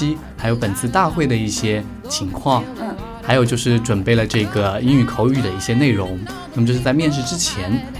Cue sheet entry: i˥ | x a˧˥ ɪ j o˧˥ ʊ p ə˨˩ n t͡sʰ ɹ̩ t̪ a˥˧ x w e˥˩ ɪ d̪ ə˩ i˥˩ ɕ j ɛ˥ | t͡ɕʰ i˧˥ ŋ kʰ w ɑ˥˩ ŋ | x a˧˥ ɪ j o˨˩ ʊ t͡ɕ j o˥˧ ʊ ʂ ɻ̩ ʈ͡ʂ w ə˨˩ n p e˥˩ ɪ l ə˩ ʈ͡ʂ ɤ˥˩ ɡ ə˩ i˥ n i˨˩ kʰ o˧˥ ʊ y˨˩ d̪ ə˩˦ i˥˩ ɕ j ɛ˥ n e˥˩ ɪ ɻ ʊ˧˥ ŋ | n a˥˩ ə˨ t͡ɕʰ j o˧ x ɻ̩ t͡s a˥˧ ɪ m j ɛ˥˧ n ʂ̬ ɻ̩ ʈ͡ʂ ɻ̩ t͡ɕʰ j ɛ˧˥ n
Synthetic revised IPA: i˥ | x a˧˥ ɪ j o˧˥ ʊ p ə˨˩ n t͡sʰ ɹ̩ t̪ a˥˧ x w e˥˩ ɪ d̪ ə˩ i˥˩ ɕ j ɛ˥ | t͡ɕʰ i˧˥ ŋ kʰ w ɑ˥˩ ŋ | x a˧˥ ɪ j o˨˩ ʊ t͡ɕ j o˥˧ ʊ ʂ ɻ̩ ʈ͡ʂ w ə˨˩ n p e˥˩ ɪ l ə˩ ʈ͡ʂ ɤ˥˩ ɡ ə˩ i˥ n y˨˩ kʰ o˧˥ ʊ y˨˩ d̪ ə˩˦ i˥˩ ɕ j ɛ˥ n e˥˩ ɪ ɻ ʊ˧˥ ŋ | n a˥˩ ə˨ t͡ɕ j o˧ ʂ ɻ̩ t͡s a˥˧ ɪ m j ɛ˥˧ n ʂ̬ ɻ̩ ʈ͡ʂ ɻ̩ t͡ɕʰ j ɛ˧˥ n